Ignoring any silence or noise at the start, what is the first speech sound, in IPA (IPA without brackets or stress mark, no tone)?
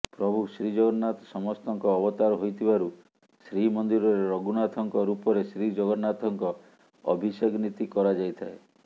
p